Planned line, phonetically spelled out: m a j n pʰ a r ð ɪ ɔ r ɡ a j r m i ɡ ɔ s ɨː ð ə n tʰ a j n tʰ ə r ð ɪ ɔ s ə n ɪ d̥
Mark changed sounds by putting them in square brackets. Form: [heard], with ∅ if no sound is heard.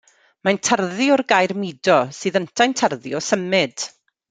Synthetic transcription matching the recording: m a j n [tʰ] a r ð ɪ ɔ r ɡ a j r m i [d] ɔ s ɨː ð ə n tʰ a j n tʰ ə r ð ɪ ɔ s ə [m] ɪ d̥